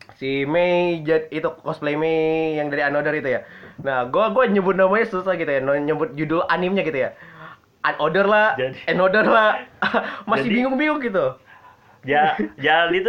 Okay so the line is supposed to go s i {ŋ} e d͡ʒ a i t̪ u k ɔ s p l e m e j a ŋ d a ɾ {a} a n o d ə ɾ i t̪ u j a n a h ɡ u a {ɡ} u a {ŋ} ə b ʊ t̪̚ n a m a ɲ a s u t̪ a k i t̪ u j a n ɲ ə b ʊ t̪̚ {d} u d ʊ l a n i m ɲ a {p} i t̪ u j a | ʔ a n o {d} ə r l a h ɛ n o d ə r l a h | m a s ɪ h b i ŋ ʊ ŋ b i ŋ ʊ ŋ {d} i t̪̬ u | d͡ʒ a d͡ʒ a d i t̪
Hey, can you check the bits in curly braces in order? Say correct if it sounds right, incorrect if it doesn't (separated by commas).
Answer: incorrect, incorrect, correct, incorrect, incorrect, incorrect, correct, incorrect